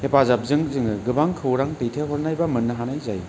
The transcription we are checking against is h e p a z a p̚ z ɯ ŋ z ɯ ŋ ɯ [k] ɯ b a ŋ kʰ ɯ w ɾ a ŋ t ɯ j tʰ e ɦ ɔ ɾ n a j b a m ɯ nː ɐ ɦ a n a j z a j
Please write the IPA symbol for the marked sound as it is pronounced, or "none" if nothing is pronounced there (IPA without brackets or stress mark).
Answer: ɡ